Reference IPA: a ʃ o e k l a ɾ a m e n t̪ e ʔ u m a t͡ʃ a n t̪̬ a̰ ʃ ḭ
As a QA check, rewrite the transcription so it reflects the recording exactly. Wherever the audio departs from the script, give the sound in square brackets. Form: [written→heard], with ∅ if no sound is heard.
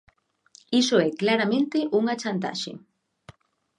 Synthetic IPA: [a→i] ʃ o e k l a ɾ a m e n t̪ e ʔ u [m→ŋ] a t͡ʃ a n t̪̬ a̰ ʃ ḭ